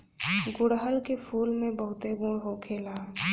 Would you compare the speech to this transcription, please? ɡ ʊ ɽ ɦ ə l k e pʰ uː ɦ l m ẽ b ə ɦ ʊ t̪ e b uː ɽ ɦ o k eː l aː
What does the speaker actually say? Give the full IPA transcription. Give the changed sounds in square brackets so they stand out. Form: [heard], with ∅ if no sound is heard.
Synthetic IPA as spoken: ɡ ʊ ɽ ɦ ə l k e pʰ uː [∅] l m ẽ b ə ɦ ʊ t̪ e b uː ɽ ɦ o [kʰ] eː l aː